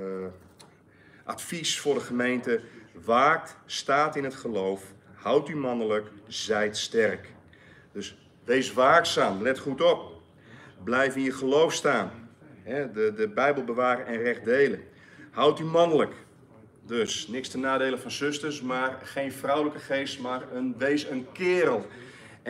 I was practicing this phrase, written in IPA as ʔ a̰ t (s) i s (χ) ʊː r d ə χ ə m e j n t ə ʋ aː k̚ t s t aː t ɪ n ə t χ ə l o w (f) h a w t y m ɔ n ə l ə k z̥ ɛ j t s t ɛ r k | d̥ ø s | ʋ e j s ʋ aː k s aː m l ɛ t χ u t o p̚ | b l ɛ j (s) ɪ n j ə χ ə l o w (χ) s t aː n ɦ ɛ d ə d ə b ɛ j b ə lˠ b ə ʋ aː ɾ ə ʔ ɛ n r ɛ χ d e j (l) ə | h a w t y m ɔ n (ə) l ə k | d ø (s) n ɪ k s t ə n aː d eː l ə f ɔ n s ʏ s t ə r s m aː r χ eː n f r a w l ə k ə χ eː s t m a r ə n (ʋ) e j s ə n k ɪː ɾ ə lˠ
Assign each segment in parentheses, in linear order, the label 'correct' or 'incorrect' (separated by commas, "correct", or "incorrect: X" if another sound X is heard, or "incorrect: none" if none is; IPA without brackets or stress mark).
incorrect: f, incorrect: f, correct, incorrect: f, incorrect: f, correct, correct, correct, correct